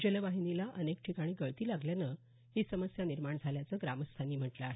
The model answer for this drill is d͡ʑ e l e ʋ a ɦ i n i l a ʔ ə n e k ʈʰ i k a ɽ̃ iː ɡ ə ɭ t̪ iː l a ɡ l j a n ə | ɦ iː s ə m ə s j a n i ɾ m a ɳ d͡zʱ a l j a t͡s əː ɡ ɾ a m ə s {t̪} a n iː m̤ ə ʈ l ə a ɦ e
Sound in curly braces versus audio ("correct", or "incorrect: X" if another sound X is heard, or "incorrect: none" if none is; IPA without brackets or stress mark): incorrect: t̪ʰ